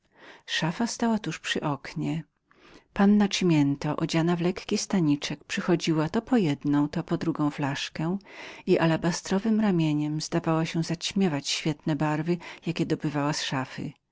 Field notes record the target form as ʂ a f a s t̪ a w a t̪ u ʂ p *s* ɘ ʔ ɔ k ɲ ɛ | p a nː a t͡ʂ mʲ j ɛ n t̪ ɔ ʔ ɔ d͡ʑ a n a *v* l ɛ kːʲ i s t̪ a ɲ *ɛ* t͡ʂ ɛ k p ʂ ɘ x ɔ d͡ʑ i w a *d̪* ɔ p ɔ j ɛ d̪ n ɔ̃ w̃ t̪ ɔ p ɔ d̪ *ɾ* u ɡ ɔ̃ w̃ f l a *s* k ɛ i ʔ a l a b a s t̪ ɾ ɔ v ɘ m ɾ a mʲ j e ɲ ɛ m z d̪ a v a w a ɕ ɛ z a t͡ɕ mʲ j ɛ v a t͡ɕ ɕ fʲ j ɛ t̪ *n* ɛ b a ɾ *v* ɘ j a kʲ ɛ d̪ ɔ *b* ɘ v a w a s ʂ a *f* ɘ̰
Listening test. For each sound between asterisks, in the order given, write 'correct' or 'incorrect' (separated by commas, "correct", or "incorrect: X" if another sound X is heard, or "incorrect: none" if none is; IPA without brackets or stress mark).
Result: incorrect: ʂ, correct, incorrect: i, incorrect: t̪, correct, incorrect: ʂ, correct, correct, correct, correct